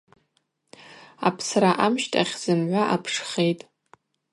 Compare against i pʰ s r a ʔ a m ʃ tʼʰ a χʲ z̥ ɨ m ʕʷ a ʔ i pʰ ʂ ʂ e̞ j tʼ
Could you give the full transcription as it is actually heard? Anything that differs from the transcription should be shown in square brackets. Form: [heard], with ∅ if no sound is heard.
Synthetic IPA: [a] pʰ s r a ʔ a m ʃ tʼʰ a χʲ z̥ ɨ m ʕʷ a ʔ [a] pʰ ʂ [χ] e̞ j tʼ